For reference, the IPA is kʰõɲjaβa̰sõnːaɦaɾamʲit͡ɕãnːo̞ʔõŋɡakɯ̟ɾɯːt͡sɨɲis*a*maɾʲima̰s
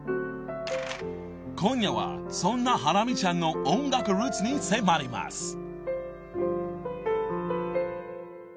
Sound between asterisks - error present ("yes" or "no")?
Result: yes